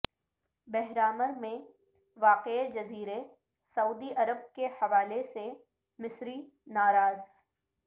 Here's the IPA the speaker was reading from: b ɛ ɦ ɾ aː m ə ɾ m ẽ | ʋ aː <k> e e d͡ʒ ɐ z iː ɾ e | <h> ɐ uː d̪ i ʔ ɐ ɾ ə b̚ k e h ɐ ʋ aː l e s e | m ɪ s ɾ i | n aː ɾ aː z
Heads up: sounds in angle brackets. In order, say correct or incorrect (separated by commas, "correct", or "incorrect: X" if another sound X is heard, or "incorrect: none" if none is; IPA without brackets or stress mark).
incorrect: q, incorrect: s